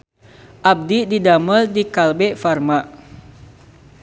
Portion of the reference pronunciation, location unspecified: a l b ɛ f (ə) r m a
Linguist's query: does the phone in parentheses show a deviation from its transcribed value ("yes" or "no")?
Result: yes